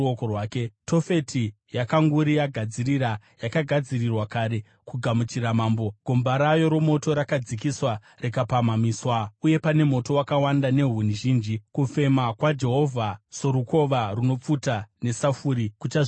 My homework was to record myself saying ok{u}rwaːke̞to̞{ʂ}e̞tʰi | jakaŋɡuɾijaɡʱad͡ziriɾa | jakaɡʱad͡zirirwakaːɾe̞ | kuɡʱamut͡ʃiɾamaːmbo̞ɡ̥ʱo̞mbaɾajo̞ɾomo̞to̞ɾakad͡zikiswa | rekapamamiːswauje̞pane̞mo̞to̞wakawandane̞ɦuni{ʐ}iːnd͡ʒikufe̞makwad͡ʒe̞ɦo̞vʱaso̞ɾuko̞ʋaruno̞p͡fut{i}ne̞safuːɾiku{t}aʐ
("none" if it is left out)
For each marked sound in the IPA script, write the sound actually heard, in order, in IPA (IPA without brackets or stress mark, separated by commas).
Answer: o, f, ʒ, a, t͡ʃ